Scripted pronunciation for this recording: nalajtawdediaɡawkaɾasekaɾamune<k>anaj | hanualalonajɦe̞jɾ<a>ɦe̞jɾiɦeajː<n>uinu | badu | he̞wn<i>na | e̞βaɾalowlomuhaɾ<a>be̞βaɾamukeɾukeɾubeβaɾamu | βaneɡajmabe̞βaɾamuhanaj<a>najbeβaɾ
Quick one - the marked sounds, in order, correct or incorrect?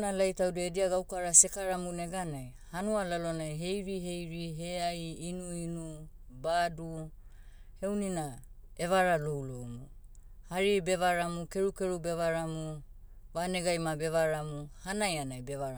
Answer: incorrect: ɡ, incorrect: i, correct, correct, incorrect: i, correct

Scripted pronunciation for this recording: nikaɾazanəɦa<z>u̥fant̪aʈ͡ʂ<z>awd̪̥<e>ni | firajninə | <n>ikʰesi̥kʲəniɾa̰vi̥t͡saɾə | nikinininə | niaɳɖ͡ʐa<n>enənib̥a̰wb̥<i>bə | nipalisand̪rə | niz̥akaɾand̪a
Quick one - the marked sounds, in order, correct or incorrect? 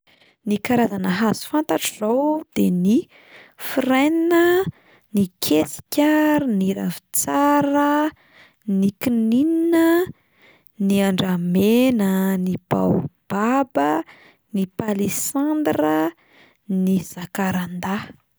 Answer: correct, correct, correct, correct, incorrect: m, incorrect: a

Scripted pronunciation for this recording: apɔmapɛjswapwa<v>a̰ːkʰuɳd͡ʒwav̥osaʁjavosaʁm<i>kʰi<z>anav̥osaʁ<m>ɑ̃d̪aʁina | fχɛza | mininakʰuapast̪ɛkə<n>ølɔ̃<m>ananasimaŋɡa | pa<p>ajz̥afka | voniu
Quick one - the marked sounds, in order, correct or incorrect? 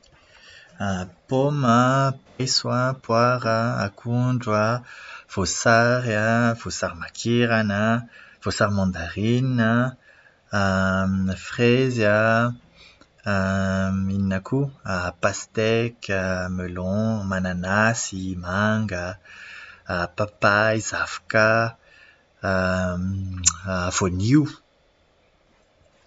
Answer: incorrect: ʁ, incorrect: a, incorrect: ʁ, correct, incorrect: m, correct, correct

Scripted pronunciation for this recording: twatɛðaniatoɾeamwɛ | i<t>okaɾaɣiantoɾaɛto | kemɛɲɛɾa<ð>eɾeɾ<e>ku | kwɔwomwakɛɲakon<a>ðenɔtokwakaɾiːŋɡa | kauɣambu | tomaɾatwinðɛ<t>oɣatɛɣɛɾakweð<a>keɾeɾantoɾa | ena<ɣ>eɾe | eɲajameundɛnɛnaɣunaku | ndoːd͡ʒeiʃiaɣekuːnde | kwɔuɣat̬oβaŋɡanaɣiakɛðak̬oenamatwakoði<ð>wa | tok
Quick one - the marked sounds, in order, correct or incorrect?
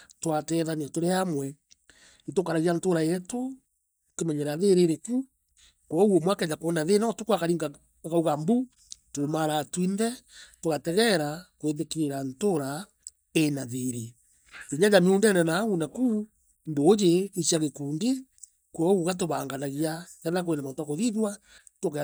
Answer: correct, correct, correct, correct, correct, incorrect: e, incorrect: ð, correct

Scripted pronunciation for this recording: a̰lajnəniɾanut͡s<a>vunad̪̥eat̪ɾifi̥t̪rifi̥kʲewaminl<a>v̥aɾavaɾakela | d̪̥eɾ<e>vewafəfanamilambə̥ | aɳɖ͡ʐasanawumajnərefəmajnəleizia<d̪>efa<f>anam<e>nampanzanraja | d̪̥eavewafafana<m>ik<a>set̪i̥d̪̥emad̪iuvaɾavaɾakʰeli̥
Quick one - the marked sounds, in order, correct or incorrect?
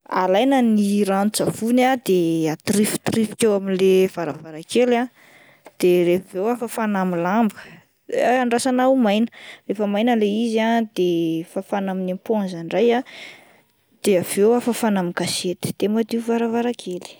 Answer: correct, incorrect: e, correct, correct, correct, incorrect: i, correct, correct

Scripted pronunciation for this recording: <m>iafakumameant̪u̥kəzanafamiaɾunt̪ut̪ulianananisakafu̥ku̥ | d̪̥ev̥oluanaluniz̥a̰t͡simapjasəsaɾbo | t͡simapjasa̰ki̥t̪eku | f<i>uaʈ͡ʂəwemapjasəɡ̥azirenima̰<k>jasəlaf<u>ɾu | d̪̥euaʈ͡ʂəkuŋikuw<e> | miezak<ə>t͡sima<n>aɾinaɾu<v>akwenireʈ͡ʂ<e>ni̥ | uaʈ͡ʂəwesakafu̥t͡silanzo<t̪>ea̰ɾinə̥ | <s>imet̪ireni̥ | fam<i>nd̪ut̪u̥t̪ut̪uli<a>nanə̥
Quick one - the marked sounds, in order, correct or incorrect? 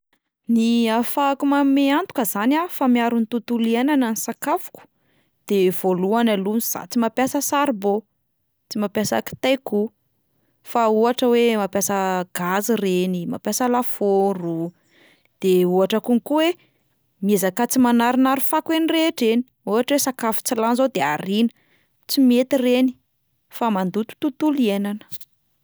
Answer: incorrect: n, incorrect: a, incorrect: p, incorrect: o, correct, incorrect: a, correct, incorrect: f, correct, incorrect: d̪, incorrect: t͡s, incorrect: a, incorrect: e

